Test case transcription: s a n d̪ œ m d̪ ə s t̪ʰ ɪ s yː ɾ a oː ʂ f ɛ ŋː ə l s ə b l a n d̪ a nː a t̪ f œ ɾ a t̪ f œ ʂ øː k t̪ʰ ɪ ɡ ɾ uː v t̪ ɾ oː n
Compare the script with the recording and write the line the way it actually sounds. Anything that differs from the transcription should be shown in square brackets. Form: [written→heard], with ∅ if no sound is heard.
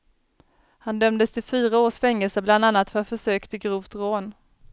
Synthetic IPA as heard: [s→h] a n d̪ œ m d̪ ə s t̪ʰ ɪ [s→f] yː ɾ a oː ʂ f ɛ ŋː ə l s ə b l a n d̪ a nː a t̪ f œ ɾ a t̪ f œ ʂ øː k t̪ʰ ɪ ɡ ɾ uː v t̪ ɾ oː n